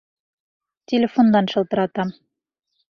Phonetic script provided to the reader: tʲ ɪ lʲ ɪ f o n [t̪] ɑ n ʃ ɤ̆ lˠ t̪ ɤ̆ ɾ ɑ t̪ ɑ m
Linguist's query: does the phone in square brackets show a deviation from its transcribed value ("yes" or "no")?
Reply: yes